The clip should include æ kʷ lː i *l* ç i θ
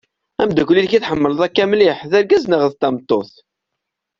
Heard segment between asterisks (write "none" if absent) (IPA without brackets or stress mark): l